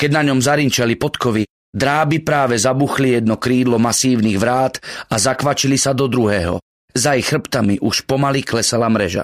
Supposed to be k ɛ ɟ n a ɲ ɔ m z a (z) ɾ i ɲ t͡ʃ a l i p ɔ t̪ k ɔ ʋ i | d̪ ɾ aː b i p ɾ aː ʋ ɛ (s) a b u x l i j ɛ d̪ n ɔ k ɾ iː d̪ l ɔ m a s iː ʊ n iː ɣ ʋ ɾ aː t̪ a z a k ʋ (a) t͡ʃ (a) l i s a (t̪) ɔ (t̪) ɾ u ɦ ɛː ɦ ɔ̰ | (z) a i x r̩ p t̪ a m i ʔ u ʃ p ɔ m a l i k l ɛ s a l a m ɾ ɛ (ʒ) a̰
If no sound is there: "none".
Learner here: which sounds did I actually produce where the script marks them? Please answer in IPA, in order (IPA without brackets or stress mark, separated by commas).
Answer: none, z, a, i, d̪, d̪, z, ʒ